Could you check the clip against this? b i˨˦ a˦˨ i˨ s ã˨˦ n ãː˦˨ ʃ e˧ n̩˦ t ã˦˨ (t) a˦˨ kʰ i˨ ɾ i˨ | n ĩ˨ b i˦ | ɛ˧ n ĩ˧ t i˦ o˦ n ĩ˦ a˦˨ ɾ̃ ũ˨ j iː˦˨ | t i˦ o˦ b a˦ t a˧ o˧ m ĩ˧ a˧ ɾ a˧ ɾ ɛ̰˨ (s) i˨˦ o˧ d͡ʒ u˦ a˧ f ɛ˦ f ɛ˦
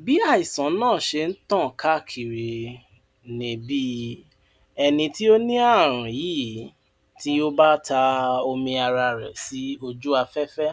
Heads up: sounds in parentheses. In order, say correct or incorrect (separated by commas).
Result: incorrect, correct